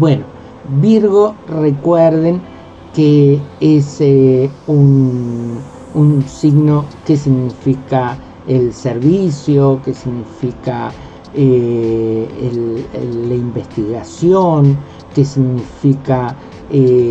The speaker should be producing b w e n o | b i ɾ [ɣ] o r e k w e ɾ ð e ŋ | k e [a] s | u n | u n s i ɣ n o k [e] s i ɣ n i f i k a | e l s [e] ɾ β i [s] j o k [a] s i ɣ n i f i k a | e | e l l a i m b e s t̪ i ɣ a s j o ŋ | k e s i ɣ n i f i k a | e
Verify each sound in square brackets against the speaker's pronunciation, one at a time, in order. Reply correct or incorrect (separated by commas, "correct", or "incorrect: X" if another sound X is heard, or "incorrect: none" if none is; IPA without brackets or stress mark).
correct, incorrect: e, correct, correct, correct, incorrect: e